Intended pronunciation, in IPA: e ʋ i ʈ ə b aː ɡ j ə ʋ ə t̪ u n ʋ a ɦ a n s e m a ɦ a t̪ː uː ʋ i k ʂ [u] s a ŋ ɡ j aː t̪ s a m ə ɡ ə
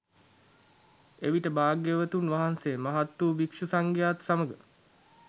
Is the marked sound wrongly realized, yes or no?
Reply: no